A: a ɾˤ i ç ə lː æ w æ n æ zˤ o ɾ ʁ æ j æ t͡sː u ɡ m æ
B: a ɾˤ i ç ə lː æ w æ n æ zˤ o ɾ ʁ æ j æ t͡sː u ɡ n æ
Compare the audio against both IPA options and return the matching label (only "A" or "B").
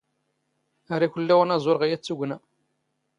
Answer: B